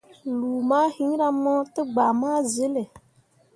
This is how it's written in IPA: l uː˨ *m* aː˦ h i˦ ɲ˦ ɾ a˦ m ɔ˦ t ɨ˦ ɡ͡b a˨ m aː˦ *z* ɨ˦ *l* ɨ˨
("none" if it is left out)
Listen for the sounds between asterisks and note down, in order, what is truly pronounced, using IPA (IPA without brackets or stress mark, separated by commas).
m, z, l